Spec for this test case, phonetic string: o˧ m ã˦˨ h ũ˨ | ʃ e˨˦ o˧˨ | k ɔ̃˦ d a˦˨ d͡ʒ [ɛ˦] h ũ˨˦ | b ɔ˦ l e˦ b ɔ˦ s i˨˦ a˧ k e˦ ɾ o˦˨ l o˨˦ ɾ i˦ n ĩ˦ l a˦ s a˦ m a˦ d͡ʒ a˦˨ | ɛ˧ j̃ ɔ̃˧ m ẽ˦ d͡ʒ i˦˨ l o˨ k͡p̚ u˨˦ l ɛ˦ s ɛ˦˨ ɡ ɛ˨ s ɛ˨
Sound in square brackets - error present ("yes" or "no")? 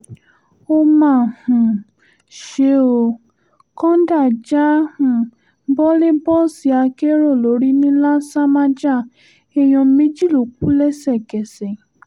yes